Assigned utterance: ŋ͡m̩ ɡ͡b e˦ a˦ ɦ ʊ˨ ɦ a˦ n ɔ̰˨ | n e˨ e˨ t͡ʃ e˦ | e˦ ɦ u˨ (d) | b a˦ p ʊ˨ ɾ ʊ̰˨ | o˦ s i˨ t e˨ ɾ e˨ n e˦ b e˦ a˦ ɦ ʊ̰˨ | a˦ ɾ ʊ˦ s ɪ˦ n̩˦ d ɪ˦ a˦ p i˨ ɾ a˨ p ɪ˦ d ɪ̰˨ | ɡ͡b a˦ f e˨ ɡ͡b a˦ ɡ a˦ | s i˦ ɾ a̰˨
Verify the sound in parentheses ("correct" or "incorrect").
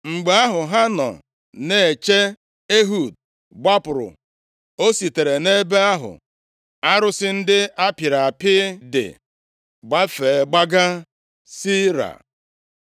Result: correct